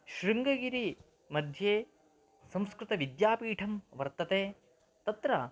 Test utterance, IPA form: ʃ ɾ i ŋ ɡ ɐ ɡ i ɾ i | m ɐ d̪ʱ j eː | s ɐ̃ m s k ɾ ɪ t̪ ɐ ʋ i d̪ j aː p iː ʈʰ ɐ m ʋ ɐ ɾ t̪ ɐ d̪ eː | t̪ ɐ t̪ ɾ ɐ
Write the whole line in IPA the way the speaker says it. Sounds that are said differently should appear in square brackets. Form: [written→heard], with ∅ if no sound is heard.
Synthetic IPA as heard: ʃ ɾ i ŋ ɡ ɐ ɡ i ɾ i | m ɐ d̪ʱ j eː | s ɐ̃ m s k ɾ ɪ t̪ ɐ ʋ i d̪ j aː p iː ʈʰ ɐ m ʋ ɐ ɾ t̪ ɐ [d̪→t̪] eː | t̪ ɐ t̪ ɾ ɐ